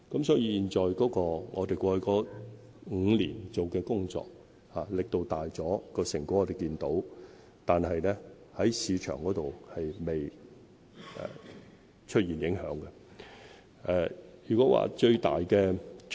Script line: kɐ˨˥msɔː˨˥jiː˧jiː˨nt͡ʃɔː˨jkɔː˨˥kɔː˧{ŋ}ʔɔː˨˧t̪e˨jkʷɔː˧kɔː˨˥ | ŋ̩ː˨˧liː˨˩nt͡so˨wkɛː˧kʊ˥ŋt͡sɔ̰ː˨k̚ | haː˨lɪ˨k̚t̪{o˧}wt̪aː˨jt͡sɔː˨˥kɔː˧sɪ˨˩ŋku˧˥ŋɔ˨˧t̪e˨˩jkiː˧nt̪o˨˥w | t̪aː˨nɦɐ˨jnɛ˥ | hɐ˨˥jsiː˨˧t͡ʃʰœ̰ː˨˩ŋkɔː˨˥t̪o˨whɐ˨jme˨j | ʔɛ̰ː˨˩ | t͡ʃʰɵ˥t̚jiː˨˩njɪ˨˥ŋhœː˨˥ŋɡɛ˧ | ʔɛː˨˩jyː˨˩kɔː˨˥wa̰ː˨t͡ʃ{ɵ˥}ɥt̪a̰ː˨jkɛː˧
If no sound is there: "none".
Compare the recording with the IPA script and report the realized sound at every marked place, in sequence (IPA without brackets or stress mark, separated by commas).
ŋ, o˧, ɵ˧